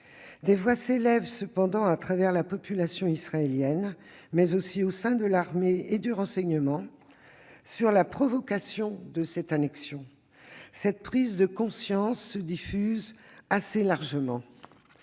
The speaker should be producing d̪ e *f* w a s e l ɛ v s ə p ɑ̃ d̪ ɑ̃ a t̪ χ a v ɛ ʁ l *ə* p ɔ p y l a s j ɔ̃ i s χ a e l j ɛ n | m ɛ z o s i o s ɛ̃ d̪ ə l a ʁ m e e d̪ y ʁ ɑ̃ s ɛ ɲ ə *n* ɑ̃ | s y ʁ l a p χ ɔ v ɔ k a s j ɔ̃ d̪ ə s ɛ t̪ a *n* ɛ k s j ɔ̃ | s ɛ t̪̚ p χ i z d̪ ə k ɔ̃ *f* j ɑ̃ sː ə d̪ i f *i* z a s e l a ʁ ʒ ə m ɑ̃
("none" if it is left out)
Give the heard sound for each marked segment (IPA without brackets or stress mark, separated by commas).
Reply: v, a, m, n, s, y